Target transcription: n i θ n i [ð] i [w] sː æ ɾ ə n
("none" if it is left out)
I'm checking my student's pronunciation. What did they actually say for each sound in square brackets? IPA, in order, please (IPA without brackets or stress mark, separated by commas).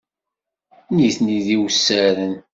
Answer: ð, w